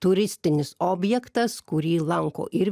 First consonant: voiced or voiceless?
voiceless